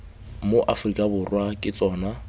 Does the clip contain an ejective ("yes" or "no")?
yes